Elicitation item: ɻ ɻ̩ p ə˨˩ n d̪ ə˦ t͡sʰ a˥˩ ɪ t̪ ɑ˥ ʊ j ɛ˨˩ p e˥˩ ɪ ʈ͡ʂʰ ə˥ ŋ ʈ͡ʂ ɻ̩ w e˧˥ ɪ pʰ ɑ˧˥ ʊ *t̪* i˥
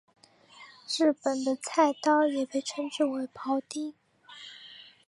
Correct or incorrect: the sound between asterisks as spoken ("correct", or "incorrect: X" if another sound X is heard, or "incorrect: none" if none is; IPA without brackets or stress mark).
correct